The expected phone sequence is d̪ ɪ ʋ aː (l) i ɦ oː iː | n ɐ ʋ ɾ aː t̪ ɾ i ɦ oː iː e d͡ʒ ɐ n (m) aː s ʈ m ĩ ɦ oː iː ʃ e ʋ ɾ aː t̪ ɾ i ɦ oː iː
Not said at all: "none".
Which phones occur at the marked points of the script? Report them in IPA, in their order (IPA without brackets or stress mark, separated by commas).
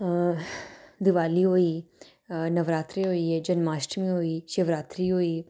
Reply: l, m